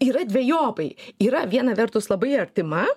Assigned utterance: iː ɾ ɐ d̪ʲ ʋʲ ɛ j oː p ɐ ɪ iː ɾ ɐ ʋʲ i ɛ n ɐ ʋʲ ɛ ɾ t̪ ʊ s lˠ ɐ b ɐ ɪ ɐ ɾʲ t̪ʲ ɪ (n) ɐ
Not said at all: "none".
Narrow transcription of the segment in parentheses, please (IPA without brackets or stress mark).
m